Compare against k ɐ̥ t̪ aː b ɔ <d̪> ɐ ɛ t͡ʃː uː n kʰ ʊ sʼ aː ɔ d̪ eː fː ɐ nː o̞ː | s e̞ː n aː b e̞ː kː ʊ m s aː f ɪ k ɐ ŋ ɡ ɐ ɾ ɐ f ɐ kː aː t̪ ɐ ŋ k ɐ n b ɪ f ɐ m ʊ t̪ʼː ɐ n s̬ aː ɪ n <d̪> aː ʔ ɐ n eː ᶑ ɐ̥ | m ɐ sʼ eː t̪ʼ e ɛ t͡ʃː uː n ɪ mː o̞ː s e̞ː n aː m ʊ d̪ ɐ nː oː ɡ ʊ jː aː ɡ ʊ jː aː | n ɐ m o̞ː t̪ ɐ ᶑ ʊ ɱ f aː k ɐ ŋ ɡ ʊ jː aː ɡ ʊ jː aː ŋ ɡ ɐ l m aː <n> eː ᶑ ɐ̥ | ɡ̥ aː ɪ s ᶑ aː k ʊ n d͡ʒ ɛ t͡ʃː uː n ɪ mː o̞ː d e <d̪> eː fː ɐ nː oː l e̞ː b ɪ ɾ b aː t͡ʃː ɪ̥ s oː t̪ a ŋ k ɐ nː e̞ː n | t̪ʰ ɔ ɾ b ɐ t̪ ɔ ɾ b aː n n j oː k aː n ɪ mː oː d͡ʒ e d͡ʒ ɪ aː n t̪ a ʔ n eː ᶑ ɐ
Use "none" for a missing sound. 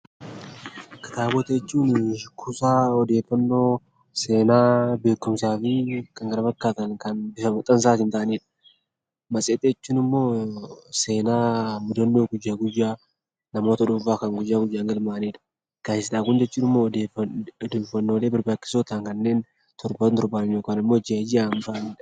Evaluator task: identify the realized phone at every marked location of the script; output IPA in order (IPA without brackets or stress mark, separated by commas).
t̪, t̪, n, d̪